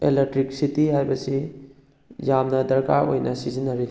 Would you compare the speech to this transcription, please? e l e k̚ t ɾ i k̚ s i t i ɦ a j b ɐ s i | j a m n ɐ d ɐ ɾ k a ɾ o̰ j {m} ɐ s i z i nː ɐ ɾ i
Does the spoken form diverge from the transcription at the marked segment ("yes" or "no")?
yes